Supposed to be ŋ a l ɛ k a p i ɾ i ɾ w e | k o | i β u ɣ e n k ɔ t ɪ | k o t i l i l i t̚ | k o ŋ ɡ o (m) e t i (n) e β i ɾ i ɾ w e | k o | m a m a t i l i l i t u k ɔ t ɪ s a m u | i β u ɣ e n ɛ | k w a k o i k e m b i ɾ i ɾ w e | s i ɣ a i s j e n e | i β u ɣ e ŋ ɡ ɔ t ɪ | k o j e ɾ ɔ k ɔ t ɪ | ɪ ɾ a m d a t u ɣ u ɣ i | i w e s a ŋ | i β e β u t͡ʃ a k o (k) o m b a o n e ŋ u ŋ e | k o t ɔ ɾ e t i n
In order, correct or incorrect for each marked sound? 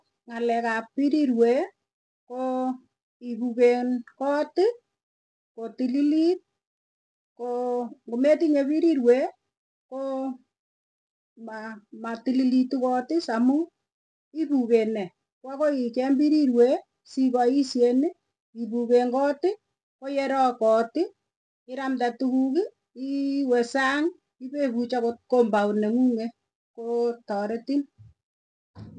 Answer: correct, incorrect: ɲ, correct

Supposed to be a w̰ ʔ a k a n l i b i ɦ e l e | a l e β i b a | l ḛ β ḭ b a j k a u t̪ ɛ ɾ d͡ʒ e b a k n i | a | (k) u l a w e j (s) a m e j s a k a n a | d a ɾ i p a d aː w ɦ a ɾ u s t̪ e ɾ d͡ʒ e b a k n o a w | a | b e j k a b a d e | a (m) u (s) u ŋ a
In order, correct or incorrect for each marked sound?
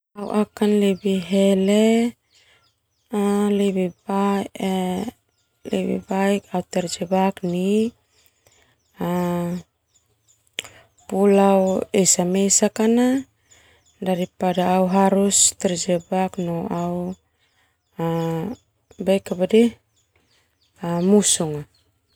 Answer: incorrect: p, correct, correct, correct

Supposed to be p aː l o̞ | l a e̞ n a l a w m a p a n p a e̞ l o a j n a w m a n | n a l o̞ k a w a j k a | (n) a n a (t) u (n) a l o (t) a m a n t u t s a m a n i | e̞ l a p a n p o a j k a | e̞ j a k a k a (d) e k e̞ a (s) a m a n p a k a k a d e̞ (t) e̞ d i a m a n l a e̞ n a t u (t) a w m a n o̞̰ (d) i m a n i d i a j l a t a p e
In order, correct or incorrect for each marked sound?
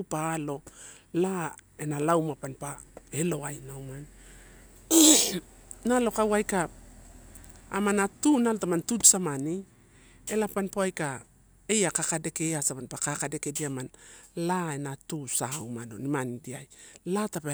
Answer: incorrect: m, correct, correct, correct, correct, correct, incorrect: k, incorrect: s, incorrect: n

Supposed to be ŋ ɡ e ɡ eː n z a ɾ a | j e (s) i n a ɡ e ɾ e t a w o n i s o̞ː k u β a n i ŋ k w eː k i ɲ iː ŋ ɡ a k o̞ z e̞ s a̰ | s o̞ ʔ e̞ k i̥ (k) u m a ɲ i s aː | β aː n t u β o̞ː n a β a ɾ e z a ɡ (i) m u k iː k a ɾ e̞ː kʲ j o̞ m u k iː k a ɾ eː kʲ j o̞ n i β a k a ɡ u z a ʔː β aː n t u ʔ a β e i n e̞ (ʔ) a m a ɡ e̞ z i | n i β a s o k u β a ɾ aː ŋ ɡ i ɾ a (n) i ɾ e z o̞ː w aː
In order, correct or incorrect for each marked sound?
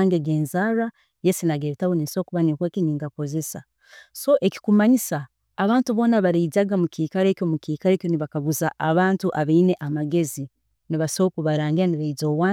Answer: correct, correct, incorrect: a, correct, correct

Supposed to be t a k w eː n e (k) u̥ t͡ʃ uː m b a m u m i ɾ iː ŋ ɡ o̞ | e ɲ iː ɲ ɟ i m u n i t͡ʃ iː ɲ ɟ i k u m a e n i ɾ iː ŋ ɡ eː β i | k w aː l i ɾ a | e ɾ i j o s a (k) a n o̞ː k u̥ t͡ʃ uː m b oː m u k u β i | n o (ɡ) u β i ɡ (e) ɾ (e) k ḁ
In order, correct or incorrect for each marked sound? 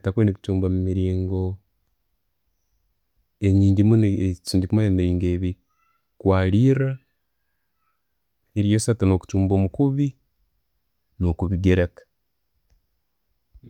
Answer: correct, incorrect: t, incorrect: k, correct, correct

